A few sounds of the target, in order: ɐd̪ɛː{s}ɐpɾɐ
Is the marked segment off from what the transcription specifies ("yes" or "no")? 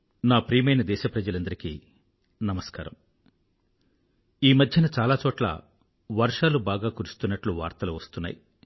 yes